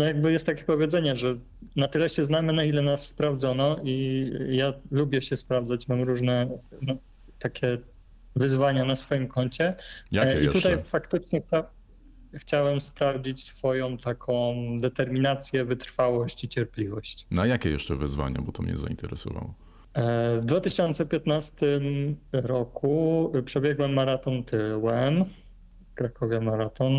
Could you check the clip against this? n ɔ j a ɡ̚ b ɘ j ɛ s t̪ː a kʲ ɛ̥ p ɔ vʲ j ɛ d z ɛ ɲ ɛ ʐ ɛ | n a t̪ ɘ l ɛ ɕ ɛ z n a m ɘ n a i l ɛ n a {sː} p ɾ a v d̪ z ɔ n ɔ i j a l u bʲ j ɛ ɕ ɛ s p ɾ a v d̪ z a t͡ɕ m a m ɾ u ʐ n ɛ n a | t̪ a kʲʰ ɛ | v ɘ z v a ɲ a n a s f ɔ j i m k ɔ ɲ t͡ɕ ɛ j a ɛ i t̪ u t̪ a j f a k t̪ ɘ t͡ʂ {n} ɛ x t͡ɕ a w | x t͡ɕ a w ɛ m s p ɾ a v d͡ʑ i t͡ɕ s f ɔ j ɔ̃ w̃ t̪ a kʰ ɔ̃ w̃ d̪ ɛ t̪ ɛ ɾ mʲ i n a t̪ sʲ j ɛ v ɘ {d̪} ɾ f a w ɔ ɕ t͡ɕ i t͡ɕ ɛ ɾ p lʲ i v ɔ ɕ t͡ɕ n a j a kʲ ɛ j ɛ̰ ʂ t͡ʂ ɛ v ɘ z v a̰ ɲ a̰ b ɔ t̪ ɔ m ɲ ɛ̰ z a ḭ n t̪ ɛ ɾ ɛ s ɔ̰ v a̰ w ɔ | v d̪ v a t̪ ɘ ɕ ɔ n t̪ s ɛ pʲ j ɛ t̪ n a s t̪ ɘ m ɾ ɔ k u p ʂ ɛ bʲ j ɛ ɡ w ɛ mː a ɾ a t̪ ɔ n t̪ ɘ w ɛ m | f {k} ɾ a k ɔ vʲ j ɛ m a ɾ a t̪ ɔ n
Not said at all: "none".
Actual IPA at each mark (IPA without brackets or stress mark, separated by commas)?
sː, ɲ, t̪, k